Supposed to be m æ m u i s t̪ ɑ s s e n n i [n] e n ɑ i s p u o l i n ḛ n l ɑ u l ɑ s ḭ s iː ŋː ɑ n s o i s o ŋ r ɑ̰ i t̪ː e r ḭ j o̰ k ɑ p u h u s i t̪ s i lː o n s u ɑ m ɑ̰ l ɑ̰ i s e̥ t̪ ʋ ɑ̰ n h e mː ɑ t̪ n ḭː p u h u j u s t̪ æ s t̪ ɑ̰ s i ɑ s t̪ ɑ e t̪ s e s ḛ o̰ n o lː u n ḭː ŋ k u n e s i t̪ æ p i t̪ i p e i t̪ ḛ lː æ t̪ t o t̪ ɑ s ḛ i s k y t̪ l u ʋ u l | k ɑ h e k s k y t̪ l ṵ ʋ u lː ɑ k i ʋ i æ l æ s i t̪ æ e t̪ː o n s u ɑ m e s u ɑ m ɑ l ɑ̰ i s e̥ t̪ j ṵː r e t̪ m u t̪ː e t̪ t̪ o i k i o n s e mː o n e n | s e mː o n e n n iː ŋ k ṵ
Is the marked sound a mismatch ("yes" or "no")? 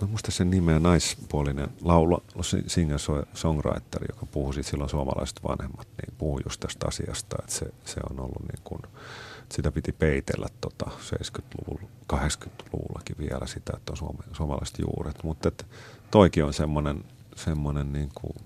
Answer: yes